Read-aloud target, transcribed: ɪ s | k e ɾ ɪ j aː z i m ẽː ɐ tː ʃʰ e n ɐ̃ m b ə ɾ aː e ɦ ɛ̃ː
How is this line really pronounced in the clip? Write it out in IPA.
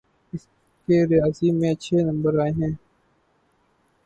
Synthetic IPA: ɪ s | k e ɾ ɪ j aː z i m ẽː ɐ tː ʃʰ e n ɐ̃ m b ə ɾ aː e ɦ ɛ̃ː